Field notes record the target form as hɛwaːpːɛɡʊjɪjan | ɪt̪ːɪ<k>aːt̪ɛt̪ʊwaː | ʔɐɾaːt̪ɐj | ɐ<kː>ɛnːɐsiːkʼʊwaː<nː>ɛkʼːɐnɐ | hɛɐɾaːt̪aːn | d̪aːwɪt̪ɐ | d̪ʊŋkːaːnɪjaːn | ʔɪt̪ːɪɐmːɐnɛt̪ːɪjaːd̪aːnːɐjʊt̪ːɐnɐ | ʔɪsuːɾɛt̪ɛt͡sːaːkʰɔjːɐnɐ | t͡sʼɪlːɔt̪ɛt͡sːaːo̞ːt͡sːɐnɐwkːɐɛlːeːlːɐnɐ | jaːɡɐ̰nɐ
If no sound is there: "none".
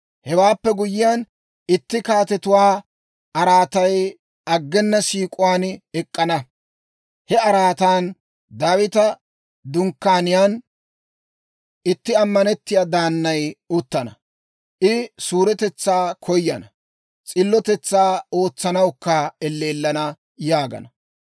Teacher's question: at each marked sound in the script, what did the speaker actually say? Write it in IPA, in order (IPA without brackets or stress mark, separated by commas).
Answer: k, ɡː, n